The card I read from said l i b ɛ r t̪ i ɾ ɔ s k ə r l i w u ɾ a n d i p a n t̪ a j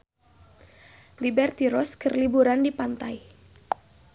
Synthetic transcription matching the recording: l i b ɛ r t̪ i ɾ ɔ s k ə r l i b u ɾ a n d i p a n t̪ a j

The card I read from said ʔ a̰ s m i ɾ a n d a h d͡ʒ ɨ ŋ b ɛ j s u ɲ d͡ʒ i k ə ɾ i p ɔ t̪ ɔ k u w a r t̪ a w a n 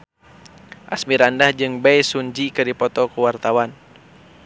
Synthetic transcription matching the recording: ʔ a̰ s m i ɾ a n d a h d͡ʒ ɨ ŋ b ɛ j s u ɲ d͡ʒ i k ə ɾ i p ɔ t̪ ɔ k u w a r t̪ a w a n

